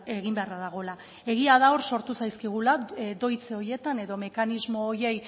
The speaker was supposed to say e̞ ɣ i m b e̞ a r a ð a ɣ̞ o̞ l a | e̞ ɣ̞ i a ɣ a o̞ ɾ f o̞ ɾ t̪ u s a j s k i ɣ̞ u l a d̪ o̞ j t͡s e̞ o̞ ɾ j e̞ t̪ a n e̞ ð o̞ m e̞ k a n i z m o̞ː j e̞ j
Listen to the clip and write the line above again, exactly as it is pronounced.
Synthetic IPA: e̞ ɣ i m b e̞ a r a ð a ɣ̞ o̞ l a | e̞ ɣ̞ i a ð a o̞ ɾ s o̞ ɾ t̪ u s a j s k i ɣ̞ u l a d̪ o̞ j t͡s e̞ o̞ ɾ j e̞ t̪ a n e̞ ð o̞ m e̞ k a n i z m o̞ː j e̞ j